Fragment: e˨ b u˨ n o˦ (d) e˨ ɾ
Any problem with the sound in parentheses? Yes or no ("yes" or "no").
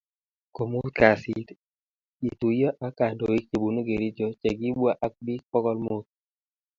yes